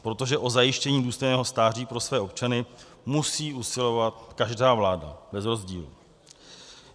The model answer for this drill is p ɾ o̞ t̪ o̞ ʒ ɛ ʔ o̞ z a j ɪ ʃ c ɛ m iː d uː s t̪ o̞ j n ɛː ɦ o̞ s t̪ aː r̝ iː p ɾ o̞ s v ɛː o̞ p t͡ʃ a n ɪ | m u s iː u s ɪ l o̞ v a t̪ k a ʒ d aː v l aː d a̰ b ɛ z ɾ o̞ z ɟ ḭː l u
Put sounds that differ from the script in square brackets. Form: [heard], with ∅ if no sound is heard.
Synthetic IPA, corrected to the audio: p ɾ o̞ t̪ o̞ ʒ ɛ ʔ o̞ z a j ɪ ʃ c ɛ [ɲ] iː d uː s t̪ o̞ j n ɛː ɦ o̞ s t̪ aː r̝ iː p ɾ o̞ s v ɛː o̞ p t͡ʃ a n ɪ | m u s iː u s ɪ l o̞ v a t̪ k a ʒ d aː v l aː d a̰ b ɛ z ɾ o̞ z ɟ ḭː l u

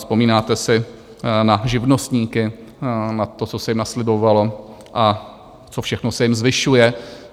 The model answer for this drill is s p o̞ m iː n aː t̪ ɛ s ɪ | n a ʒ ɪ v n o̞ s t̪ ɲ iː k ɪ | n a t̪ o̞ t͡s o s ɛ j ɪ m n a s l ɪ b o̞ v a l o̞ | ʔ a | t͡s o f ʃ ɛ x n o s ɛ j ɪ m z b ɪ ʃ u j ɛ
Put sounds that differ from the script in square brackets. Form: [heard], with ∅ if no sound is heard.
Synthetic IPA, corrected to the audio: s p o̞ m iː n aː t̪ ɛ s ɪ | n a ʒ ɪ v n o̞ s t̪ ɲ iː k ɪ | n a t̪ o̞ t͡s o s ɛ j ɪ m n a s l ɪ b o̞ v a l o̞ | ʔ a | t͡s o f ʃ ɛ x n o s ɛ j ɪ m z [v] ɪ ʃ u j ɛ

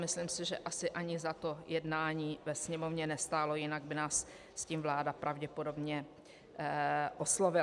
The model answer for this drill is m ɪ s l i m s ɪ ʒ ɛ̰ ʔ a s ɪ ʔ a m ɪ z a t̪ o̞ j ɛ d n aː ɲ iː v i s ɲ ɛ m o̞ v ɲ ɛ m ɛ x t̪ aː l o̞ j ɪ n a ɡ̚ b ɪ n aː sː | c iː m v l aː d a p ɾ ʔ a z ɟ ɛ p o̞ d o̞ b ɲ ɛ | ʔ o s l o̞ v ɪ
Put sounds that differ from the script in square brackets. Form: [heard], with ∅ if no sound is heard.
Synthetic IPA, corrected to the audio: m ɪ s l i m s ɪ ʒ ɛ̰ ʔ a s ɪ ʔ a [ɲ] ɪ z a t̪ o̞ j ɛ d n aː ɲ iː v [ɛ] s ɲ ɛ m o̞ v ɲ ɛ [n] ɛ [s] t̪ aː l o̞ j ɪ n a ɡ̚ b ɪ n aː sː | c iː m v l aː d a p ɾ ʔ a [v] ɟ ɛ p o̞ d o̞ b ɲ ɛ | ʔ o s l o̞ v ɪ

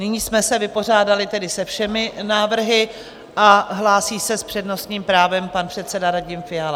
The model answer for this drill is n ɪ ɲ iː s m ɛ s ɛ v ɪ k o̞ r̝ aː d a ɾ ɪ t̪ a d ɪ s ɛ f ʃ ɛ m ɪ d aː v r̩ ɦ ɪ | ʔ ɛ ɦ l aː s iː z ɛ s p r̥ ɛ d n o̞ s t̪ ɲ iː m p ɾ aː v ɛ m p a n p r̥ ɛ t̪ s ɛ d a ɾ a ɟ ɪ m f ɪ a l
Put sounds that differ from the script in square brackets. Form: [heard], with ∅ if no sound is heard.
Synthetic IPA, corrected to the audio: n ɪ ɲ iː s m ɛ s ɛ v ɪ [p] o̞ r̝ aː d a [l] ɪ t̪ [ɛ] d ɪ s ɛ f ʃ ɛ m ɪ [n] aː v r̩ ɦ ɪ | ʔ [a] ɦ l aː s iː [s] ɛ s p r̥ ɛ d n o̞ s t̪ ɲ iː m p ɾ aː v ɛ m p a n p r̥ ɛ t̪ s ɛ d a ɾ a ɟ ɪ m f ɪ a l

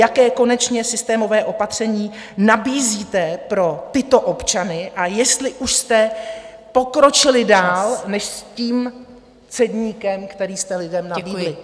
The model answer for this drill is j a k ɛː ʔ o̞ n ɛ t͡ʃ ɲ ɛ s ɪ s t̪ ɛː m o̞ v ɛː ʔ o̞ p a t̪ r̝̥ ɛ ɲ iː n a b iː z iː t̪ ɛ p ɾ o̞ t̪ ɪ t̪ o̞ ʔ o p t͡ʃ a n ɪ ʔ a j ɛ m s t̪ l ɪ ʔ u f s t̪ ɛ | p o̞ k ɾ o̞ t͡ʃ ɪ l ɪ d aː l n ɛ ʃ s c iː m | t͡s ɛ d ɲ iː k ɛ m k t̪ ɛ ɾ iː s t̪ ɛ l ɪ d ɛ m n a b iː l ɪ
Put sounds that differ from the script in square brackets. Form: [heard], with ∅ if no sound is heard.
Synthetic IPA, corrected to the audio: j a k ɛː [k] o̞ n ɛ t͡ʃ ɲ ɛ s ɪ s t̪ ɛː m o̞ v ɛː ʔ o̞ p a t̪ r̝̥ ɛ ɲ iː n a b iː z iː t̪ ɛ p ɾ o̞ t̪ ɪ t̪ o̞ ʔ o p t͡ʃ a n ɪ ʔ a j ɛ [∅] s t̪ l ɪ ʔ u [ʃ] s t̪ ɛ | p o̞ k ɾ o̞ t͡ʃ ɪ l ɪ d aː l n ɛ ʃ s c iː m | t͡s ɛ d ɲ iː k ɛ m k t̪ ɛ ɾ iː s t̪ ɛ l ɪ d ɛ m n a b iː l ɪ

